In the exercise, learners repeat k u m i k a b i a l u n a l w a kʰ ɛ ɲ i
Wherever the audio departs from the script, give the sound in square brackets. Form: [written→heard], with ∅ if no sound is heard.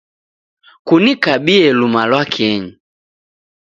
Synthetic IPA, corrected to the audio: k u [m→n] i k a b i [a→ɛ] l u [n→m] a l w a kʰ ɛ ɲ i